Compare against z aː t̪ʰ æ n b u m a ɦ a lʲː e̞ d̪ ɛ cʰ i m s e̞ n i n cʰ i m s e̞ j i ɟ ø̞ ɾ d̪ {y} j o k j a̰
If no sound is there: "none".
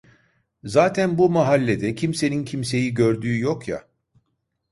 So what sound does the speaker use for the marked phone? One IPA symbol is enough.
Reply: yː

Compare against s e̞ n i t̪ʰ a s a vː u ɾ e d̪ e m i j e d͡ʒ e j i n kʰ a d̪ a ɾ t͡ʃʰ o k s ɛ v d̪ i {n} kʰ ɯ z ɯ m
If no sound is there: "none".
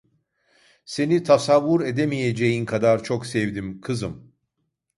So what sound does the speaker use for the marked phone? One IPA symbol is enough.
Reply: m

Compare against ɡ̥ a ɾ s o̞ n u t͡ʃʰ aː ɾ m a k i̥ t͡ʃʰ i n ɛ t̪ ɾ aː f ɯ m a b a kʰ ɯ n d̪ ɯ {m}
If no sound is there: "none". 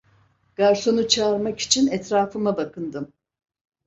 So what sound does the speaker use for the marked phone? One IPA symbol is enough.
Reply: m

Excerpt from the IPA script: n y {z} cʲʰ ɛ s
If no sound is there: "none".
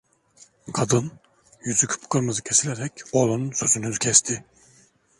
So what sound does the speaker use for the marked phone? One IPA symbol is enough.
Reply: z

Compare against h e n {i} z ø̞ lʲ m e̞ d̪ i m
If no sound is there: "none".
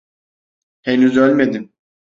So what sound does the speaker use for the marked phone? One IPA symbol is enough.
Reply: y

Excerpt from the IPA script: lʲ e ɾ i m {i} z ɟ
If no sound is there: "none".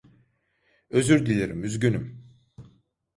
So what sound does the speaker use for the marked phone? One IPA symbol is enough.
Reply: y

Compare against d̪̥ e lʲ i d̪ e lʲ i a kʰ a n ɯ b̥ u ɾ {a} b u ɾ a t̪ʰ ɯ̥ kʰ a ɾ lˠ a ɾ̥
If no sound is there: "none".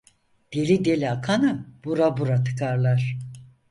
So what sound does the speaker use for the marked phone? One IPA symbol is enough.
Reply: a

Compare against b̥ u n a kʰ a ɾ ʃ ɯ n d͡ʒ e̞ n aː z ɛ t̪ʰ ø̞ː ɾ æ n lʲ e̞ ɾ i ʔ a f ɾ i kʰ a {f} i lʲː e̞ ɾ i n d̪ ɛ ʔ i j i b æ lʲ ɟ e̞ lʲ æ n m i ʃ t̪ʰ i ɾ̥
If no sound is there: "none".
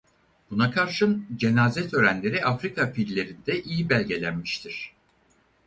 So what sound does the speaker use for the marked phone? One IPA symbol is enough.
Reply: f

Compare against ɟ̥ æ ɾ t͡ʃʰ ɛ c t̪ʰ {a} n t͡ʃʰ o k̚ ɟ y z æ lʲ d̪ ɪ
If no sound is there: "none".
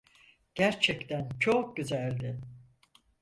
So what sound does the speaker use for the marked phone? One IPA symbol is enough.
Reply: æ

